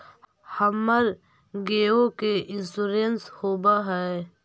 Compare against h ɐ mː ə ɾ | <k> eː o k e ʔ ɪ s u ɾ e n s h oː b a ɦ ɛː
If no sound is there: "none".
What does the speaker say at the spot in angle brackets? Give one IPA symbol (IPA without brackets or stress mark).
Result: ɡ